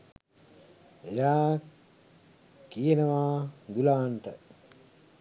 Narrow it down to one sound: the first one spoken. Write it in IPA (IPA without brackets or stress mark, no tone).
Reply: e